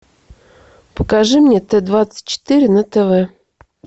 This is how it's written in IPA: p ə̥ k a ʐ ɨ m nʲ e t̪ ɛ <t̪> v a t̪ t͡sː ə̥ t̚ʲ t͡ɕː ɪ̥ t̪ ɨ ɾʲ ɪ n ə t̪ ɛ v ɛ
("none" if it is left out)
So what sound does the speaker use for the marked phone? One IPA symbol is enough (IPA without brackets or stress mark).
d̪